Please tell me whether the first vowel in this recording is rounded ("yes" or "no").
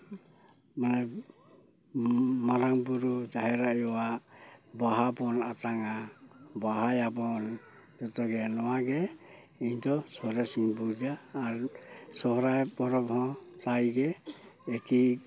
no